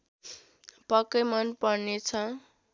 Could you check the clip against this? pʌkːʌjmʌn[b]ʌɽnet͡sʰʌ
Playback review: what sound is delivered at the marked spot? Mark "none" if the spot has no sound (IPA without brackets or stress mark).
p